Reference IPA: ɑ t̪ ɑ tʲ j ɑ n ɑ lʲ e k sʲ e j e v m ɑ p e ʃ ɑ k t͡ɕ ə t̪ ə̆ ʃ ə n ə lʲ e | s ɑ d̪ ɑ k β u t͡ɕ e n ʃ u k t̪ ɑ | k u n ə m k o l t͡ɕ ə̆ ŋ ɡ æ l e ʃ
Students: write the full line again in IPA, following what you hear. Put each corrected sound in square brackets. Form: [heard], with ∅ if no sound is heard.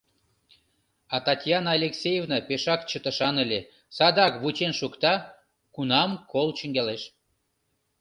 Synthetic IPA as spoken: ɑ t̪ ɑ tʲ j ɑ n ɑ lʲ e k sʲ e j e v [n] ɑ p e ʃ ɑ k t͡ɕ ə t̪ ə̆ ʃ [ɑ] n ə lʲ e | s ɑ d̪ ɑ k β u t͡ɕ e n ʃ u k t̪ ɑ | k u n [ɑ] m k o l t͡ɕ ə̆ ŋ ɡ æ l e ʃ